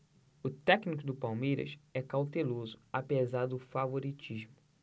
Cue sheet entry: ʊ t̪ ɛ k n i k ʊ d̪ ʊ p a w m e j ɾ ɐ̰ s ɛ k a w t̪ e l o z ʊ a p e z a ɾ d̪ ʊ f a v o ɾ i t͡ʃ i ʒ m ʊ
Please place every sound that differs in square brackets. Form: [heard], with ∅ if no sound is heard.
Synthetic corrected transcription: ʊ t̪ ɛ k n i k ʊ d̪ ʊ p a w m e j ɾ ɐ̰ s ɛ k a w t̪ e l o z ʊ a p e z a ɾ d̪ ʊ f a v o ɾ i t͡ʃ i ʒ m ʊ